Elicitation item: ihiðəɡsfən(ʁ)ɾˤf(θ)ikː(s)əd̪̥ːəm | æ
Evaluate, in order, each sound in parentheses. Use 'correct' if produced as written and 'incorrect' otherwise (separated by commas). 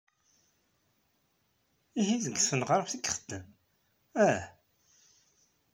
correct, correct, incorrect